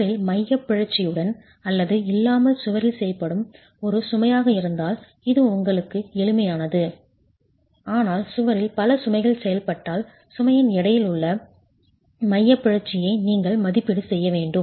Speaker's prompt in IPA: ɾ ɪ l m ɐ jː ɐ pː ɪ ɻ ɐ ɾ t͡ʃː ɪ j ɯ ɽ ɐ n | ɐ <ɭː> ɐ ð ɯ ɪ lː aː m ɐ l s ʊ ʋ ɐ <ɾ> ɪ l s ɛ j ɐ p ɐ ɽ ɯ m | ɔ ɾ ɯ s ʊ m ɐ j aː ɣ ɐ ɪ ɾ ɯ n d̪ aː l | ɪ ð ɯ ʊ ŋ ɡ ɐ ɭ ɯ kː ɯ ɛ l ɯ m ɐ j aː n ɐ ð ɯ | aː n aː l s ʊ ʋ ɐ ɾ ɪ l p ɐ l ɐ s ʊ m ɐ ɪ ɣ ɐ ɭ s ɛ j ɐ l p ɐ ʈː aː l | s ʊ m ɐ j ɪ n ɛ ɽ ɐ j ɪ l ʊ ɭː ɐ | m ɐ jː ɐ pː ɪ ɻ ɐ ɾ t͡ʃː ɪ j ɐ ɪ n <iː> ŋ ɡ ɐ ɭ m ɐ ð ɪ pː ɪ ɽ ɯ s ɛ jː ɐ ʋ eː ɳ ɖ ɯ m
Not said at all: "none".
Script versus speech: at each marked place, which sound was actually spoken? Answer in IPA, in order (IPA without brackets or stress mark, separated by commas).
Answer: lː, ɾ, iː